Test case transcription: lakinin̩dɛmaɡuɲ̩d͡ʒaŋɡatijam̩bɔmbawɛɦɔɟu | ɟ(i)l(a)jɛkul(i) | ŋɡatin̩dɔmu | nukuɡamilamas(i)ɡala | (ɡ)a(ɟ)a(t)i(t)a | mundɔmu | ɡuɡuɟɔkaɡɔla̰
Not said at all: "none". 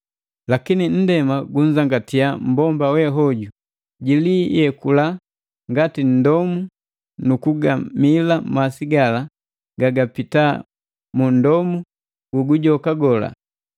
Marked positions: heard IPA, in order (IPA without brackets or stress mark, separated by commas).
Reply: i, i, a, i, ɡ, ɡ, p, t